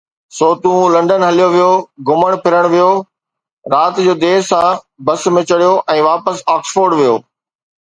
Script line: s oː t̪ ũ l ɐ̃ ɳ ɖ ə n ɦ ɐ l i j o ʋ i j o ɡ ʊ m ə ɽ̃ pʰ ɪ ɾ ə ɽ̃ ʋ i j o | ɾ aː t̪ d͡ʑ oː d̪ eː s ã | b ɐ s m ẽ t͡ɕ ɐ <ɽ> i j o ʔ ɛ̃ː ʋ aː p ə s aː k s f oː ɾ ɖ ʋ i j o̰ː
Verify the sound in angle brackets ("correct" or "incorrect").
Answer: correct